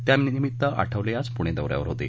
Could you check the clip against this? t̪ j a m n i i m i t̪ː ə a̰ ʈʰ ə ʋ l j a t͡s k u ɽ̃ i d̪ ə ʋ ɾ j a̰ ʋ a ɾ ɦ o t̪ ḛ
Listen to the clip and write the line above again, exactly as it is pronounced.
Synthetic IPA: t̪ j a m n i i m i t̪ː ə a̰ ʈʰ ə ʋ l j a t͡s p u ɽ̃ e d̪ ə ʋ ɾ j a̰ ʋ ə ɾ ɦ o t̪ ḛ